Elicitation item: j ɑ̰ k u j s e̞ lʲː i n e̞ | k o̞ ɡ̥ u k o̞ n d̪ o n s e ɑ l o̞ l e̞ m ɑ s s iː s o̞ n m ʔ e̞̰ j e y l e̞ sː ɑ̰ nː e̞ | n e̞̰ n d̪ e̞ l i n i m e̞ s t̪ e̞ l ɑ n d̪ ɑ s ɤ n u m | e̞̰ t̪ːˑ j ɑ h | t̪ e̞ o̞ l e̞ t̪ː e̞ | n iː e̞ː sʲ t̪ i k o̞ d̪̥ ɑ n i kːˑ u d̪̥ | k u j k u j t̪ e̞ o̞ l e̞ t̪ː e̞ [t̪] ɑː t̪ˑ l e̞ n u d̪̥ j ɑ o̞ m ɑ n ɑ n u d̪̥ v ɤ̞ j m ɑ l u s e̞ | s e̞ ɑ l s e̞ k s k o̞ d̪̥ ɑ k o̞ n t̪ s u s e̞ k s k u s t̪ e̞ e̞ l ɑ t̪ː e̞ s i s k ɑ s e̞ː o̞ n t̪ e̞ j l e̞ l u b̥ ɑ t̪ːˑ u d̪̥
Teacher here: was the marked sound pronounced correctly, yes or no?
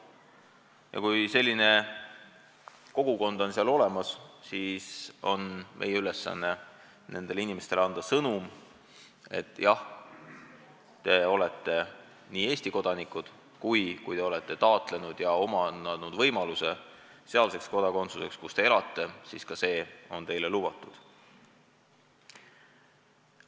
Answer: yes